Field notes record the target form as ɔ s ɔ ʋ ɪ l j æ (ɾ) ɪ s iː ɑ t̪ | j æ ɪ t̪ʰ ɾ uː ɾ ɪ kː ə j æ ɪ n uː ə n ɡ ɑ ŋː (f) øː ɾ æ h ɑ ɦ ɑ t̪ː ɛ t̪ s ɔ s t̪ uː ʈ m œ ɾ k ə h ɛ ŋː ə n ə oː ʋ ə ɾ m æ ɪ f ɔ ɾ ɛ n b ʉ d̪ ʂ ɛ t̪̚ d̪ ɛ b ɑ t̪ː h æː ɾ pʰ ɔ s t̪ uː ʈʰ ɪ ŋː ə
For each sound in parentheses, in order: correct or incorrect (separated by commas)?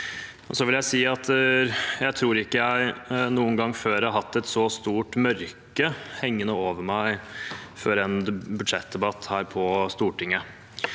incorrect, correct